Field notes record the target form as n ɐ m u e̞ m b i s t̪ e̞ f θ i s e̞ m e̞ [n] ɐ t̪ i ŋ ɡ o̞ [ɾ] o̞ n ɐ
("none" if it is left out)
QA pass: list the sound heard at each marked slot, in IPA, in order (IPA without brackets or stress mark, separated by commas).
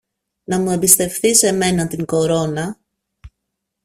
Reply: n, ɾ